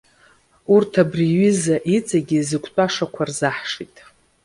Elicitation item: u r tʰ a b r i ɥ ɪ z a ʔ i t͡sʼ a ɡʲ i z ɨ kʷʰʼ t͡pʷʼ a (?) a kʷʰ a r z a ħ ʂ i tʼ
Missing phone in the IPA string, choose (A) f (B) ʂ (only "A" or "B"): B